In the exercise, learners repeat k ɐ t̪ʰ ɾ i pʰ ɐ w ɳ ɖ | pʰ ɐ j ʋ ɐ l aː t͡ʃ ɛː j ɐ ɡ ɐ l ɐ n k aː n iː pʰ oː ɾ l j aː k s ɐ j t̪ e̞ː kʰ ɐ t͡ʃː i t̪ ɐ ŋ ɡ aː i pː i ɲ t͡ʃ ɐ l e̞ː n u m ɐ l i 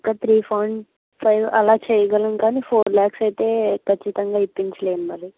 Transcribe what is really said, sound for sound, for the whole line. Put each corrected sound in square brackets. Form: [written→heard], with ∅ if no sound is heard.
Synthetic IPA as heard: k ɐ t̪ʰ ɾ [i→iː] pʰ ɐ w ɳ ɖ | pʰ ɐ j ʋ ɐ l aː t͡ʃ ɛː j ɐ ɡ ɐ l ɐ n k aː n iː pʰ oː ɾ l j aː k s ɐ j t̪ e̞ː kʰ ɐ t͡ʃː i t̪ ɐ ŋ ɡ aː i pː i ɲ t͡ʃ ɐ l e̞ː n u m ɐ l i

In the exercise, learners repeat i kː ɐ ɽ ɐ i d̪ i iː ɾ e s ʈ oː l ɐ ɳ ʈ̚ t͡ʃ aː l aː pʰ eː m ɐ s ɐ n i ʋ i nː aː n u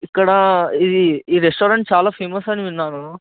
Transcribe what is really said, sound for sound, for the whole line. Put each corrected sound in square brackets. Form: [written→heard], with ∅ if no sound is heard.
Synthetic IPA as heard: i kː ɐ ɽ ɐ i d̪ i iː ɾ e s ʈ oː [l→ɾ] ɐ ɳ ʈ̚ t͡ʃ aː l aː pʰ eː m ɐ s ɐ n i ʋ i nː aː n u

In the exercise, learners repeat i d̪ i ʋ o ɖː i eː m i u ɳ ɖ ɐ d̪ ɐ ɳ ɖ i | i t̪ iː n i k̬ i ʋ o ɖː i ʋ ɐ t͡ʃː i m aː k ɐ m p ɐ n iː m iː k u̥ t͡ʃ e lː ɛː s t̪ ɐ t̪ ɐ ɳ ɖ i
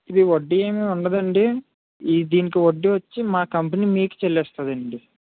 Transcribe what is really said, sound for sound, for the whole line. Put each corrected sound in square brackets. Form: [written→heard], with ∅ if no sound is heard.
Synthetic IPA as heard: i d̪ i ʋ o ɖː i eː m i u ɳ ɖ ɐ d̪ ɐ ɳ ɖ i | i [t̪→d̪] iː n i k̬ i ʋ o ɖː i ʋ ɐ t͡ʃː i m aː k ɐ m p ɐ n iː m iː k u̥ t͡ʃ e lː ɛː s t̪ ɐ [t̪→d̪] ɐ ɳ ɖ i

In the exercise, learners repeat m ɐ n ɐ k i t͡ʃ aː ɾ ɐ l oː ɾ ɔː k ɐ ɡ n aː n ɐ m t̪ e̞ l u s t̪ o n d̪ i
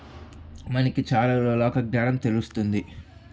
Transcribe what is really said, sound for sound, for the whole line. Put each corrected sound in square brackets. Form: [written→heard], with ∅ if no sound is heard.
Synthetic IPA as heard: m ɐ n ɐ k i t͡ʃ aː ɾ ɐ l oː [ɾ→l] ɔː k ɐ ɡ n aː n ɐ m t̪ e̞ l u s t̪ [o→u] n d̪ i

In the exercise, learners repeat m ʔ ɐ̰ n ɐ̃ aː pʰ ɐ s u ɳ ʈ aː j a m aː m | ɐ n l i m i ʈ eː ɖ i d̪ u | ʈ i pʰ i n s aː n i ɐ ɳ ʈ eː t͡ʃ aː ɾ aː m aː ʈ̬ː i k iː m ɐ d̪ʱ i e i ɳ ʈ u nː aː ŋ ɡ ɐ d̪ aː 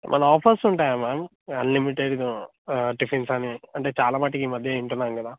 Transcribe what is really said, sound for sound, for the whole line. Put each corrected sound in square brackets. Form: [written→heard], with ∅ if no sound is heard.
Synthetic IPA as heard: m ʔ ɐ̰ n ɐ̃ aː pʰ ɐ s u ɳ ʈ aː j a m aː m | ɐ n l i m i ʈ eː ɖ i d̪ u | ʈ i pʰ i n s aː n i ɐ ɳ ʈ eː t͡ʃ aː [ɾ→l] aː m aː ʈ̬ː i k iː m ɐ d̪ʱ [i→j] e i ɳ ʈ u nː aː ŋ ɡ ɐ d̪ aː

